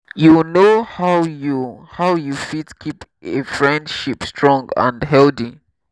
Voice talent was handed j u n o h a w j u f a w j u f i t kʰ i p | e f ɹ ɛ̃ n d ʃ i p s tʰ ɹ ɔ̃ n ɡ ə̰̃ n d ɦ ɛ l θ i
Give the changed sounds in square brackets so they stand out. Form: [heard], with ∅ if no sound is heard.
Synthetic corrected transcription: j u n o h a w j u [h] a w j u f i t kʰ i p | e f ɹ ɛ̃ n d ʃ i p s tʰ ɹ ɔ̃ [ŋ] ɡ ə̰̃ n d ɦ ɛ l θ i